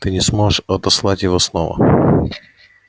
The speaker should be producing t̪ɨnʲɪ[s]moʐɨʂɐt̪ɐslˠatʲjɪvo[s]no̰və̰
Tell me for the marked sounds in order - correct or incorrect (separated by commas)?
correct, correct